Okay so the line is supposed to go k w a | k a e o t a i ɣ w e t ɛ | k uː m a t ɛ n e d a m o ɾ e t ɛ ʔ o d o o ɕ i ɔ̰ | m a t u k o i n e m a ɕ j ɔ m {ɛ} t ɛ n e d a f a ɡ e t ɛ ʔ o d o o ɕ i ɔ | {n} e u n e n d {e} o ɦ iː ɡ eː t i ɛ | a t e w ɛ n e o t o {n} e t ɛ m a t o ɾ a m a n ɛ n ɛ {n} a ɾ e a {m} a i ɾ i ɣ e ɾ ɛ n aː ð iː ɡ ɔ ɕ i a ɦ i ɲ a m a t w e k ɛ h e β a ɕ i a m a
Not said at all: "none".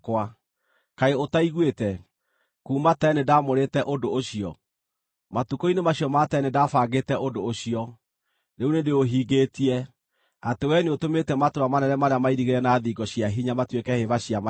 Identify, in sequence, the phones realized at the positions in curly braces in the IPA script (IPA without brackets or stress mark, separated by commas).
a, n, e, m, m, m